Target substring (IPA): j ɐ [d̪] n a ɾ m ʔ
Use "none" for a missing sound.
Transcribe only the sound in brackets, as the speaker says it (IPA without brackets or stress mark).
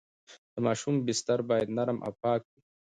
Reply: d̪